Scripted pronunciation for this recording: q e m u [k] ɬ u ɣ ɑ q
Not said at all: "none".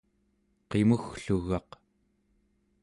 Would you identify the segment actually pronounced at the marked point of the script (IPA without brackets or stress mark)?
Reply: x